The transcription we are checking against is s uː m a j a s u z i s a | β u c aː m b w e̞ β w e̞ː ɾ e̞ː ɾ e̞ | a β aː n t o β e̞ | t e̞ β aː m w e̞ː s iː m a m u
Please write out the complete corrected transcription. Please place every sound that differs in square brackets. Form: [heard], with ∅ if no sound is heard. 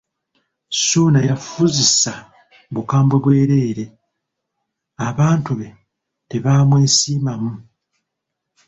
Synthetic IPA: s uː [n] a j a [f] u z i s a | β u [k] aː m b w e̞ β w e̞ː ɾ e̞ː ɾ e̞ | a β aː n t [u] β e̞ | t e̞ β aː m w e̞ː s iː m a m u